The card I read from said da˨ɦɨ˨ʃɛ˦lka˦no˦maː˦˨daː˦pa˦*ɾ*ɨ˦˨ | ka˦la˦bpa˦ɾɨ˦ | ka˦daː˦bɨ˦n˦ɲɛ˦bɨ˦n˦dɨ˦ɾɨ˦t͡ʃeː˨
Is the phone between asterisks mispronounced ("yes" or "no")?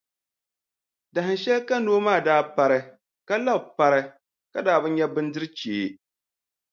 no